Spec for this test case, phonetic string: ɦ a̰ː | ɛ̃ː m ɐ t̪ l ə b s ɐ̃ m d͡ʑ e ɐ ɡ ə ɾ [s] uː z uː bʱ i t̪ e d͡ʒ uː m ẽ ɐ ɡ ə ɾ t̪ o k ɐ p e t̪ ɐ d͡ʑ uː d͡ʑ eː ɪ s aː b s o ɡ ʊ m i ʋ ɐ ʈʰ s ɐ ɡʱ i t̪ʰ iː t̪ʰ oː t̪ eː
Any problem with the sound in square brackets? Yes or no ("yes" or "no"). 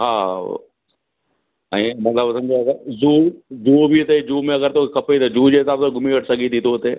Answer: yes